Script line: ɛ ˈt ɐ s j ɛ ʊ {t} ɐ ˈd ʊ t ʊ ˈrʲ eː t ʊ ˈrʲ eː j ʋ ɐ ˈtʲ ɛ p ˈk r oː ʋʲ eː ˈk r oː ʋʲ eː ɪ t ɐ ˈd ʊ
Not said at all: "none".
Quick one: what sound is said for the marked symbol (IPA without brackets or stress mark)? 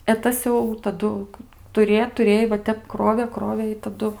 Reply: t